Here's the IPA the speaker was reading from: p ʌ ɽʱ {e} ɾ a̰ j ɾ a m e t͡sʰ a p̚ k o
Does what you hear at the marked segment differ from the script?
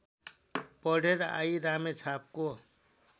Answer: no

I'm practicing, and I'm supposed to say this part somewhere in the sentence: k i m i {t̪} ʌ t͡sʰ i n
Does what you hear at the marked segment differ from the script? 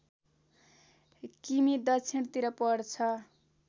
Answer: yes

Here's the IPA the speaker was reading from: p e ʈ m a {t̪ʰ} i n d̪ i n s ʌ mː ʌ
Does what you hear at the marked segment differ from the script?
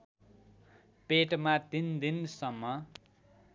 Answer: yes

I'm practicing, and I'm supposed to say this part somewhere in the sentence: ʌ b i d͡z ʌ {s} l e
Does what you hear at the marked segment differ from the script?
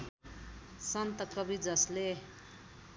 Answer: no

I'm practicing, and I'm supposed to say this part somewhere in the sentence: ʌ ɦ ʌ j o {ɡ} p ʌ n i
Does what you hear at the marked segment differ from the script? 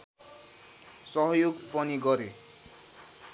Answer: no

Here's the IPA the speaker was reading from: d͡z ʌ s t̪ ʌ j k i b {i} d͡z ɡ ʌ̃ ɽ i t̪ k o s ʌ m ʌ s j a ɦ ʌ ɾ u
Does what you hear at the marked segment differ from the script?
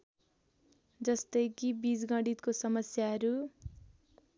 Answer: no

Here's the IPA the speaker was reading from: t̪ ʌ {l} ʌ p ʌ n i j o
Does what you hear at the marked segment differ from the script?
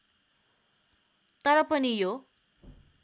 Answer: yes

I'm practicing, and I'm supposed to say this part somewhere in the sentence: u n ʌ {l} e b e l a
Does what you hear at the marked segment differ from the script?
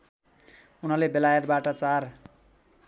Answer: no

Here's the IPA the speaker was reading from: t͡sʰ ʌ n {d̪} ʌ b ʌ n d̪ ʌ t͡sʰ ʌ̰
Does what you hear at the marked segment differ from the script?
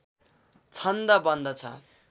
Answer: no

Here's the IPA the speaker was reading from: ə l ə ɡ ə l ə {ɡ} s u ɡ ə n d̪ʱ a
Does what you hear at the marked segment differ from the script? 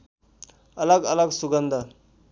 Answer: no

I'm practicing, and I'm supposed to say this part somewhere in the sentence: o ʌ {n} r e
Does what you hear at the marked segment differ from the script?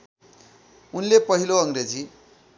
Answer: yes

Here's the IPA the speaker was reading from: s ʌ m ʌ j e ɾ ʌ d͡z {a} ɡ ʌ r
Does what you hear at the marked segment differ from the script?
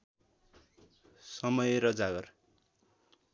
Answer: no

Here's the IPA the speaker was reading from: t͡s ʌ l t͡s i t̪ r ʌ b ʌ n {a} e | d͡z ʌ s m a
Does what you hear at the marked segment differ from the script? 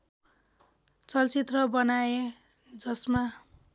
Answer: no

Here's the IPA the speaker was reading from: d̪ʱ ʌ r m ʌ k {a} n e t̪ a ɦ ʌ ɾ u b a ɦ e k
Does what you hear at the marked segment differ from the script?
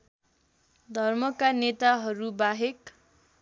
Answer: no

